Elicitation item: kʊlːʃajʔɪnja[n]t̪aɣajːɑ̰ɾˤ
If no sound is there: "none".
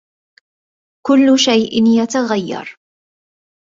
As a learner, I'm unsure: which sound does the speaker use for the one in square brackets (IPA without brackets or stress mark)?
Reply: none